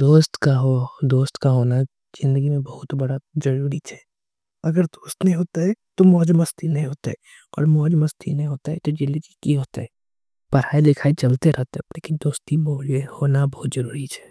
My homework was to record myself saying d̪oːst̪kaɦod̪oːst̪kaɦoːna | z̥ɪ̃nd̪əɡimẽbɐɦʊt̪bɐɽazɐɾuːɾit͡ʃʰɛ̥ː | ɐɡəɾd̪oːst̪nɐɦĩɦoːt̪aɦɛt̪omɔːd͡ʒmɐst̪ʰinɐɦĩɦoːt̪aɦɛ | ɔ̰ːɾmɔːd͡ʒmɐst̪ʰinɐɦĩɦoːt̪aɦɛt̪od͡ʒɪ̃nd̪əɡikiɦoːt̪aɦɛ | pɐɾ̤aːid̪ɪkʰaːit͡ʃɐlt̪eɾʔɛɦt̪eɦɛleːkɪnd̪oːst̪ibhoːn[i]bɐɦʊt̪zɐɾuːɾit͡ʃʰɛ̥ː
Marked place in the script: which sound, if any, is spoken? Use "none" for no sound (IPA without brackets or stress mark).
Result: a